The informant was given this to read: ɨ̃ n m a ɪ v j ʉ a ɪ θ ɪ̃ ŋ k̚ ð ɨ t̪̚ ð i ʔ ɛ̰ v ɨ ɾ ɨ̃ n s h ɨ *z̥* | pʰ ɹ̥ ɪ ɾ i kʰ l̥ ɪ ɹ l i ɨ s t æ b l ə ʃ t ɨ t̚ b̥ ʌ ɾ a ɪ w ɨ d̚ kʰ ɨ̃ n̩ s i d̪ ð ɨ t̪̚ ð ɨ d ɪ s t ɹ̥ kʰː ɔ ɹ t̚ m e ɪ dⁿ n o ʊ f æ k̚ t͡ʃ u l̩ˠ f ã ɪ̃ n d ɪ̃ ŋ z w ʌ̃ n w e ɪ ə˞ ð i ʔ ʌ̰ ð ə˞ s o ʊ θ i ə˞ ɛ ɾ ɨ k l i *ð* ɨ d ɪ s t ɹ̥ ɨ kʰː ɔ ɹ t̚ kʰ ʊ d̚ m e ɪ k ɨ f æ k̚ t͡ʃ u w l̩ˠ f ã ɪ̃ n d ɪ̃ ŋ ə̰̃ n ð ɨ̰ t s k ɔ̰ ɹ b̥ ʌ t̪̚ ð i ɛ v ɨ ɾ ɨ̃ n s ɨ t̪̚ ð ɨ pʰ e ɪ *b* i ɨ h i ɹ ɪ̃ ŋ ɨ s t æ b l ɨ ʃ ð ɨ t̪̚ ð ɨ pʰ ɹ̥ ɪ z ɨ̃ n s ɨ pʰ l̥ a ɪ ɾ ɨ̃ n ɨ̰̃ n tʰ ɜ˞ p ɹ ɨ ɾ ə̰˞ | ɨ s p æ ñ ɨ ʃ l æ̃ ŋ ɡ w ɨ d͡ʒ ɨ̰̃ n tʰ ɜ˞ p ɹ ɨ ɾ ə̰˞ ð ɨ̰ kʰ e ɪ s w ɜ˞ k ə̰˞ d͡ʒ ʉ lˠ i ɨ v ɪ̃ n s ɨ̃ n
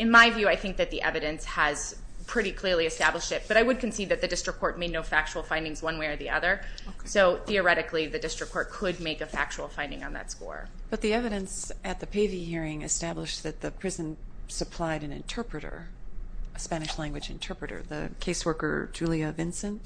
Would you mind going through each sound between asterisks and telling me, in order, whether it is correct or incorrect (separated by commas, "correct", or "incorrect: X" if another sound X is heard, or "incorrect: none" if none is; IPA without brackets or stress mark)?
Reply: correct, correct, incorrect: v